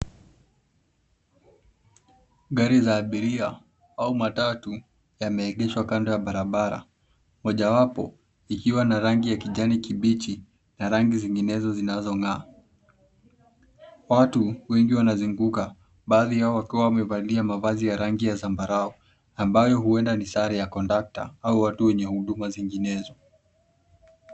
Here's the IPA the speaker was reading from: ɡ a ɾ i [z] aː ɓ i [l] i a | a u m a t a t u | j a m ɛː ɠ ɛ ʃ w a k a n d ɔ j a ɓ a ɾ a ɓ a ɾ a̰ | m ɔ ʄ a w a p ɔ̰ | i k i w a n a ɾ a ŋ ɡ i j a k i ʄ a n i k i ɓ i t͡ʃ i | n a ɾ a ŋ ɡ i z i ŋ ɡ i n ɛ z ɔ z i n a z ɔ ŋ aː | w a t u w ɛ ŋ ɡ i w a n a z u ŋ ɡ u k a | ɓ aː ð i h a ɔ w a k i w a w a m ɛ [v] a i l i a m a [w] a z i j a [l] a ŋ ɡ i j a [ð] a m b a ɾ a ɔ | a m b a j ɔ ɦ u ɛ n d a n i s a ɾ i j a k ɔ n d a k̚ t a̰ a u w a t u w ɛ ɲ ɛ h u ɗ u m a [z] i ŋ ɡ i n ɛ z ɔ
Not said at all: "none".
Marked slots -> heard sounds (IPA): z, ɾ, v, v, ɾ, z, z

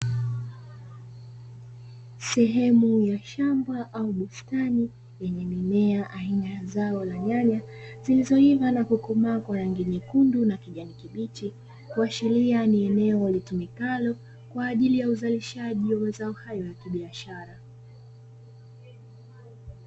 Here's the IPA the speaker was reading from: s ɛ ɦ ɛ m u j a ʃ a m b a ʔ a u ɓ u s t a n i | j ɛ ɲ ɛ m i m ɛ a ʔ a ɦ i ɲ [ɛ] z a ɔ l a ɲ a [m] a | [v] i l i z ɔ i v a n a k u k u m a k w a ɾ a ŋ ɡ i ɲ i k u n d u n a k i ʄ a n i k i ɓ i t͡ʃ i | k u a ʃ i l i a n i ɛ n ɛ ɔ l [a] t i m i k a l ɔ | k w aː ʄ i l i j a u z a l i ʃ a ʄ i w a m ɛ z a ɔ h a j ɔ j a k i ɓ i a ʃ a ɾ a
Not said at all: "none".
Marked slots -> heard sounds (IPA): a, ɲ, z, i

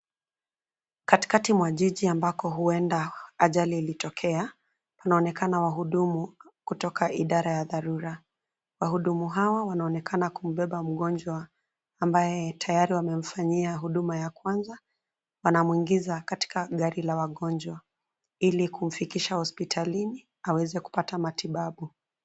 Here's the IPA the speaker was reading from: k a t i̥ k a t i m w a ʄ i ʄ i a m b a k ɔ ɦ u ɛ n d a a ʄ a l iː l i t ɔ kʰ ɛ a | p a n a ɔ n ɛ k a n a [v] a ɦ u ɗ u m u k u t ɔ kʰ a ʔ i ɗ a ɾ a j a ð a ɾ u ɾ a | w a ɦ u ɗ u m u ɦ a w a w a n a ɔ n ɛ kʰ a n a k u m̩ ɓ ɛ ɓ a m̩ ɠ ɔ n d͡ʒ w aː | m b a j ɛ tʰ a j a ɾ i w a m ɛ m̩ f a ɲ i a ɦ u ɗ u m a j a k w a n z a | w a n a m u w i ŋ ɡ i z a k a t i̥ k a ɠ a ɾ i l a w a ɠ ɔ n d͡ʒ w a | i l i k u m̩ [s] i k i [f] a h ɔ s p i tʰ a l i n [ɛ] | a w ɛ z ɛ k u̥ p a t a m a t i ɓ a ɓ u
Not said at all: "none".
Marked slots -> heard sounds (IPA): w, f, ʃ, i

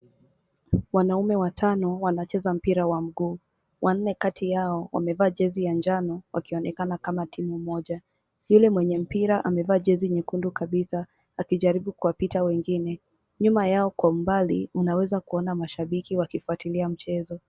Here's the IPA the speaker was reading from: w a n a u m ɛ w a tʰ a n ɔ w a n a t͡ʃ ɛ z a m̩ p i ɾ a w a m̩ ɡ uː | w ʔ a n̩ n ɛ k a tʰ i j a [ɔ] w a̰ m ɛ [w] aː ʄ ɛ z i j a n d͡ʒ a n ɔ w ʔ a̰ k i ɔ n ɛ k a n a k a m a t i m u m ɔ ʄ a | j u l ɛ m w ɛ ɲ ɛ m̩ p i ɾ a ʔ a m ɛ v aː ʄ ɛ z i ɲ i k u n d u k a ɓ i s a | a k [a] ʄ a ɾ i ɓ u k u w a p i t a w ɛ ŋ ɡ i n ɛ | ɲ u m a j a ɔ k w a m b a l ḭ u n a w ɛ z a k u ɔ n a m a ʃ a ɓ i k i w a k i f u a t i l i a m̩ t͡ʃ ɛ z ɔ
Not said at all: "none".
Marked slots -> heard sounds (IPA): ɔ, v, i

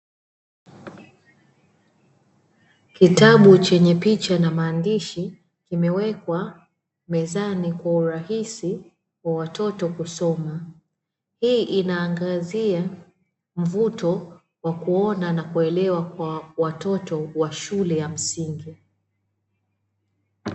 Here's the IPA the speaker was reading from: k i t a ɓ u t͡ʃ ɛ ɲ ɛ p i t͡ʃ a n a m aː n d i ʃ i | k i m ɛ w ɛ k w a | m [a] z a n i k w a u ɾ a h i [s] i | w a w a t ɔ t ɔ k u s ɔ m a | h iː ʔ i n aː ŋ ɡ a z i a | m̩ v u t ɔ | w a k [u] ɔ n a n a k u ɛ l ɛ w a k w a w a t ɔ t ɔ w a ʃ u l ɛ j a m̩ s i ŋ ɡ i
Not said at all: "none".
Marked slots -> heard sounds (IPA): ɛ, s, u

